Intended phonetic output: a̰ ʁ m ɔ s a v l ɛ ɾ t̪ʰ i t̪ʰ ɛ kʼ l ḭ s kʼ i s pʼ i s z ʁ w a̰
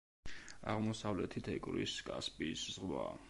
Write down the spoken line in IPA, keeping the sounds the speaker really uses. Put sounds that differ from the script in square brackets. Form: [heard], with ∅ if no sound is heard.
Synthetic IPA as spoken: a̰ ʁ m ɔ s a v l ɛ [∅] t̪ʰ i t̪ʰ ɛ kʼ [ɾ] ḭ s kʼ [a] s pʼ i s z ʁ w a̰